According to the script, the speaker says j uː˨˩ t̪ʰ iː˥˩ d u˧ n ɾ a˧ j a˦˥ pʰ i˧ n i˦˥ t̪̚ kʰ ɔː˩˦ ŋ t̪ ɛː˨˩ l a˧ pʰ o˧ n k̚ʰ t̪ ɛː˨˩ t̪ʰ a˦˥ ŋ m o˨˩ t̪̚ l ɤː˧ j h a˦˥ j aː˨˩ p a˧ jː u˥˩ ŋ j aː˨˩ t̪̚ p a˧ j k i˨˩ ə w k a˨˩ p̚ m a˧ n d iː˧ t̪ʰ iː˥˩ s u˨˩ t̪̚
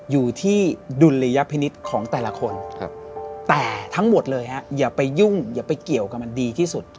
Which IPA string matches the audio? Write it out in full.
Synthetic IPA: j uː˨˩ t̪ʰ iː˥˩ d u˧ n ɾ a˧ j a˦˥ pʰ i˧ n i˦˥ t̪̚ kʰ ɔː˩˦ ŋ t̪ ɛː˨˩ l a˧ kʰ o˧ n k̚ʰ t̪ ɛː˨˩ t̪ʰ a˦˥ ŋ m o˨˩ t̪̚ l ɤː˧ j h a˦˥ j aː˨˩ p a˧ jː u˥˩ ŋ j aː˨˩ p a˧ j k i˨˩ ə w k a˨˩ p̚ m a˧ n d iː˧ t̪ʰ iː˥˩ s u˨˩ t̪̚

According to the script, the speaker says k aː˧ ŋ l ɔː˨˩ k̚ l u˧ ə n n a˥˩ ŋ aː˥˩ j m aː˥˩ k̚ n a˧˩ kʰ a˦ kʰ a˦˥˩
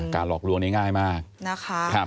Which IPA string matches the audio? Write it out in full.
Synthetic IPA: k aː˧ n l ɔː˨˩ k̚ l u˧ ə ŋ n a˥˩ ŋ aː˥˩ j m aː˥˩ k̚ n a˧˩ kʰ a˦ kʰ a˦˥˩

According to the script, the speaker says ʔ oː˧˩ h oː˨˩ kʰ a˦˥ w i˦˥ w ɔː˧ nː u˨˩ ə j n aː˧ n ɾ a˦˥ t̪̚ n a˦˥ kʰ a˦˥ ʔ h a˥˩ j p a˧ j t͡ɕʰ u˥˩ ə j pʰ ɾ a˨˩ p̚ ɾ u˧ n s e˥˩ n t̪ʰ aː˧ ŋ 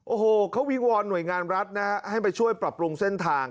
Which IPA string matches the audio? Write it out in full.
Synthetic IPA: ʔ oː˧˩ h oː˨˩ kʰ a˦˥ w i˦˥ w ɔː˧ nː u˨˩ ə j ŋ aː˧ n ɾ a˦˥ t̪̚ n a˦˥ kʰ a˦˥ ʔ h a˥˩ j p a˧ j t͡ɕʰ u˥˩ ə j p ɾ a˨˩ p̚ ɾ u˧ ŋ s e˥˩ n t̪ʰ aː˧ ŋ

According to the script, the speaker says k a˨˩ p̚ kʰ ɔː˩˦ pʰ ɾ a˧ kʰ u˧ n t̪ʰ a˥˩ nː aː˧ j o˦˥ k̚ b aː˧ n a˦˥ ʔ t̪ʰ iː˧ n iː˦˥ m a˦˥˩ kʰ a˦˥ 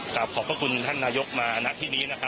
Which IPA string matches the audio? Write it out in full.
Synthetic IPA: k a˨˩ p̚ kʰ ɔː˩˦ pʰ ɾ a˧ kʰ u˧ n t̪ʰ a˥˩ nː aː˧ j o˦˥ k̚ m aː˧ n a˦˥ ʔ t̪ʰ iː˥˩ n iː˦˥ n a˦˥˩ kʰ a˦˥

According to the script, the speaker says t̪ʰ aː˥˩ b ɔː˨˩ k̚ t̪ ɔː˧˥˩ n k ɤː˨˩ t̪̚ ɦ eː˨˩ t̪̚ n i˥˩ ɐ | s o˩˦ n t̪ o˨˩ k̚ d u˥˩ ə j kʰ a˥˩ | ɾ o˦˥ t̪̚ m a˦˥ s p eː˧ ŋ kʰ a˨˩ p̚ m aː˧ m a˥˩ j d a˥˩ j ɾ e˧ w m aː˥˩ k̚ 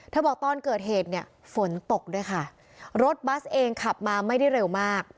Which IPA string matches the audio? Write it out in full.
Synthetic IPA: t̪ʰ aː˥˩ b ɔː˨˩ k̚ t̪ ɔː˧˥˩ n k ɤː˨˩ t̪̚ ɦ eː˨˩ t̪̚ n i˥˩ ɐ | f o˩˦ n t̪ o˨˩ k̚ d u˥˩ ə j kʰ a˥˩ | ɾ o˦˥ t̪̚ b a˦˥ s ʔ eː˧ ŋ kʰ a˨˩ p̚ m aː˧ m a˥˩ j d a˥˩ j ɾ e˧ w m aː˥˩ k̚

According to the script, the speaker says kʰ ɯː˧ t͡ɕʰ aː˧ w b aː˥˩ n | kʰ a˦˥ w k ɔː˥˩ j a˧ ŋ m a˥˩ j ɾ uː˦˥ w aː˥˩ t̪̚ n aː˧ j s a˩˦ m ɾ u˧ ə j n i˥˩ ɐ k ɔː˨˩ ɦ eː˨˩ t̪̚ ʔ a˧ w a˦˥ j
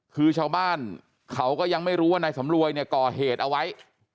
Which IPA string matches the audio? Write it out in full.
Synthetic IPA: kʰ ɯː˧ t͡ɕʰ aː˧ w b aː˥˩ n | kʰ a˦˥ w k ɔː˥˩ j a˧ ŋ m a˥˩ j ɾ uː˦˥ w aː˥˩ n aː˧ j s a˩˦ m ɾ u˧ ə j n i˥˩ ɐ k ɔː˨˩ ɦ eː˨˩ t̪̚ ʔ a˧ w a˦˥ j

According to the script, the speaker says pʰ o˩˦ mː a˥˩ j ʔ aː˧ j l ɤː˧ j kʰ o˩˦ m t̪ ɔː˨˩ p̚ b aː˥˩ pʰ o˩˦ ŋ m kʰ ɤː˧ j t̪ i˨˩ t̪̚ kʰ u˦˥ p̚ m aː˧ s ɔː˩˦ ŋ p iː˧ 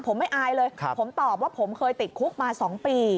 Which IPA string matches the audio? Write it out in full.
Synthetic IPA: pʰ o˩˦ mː a˥˩ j ʔ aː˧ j l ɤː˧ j pʰ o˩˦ m t̪ ɔː˨˩ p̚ w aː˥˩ pʰ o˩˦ m kʰ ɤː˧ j t̪ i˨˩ t̪̚ kʰ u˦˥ k̚ m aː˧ s ɔː˩˦ ŋ p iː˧

